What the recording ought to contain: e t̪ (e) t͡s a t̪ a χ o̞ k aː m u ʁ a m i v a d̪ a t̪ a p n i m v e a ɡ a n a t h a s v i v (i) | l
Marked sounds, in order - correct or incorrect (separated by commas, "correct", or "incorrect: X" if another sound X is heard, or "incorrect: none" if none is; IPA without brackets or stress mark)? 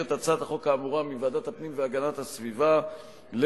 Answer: incorrect: a, incorrect: a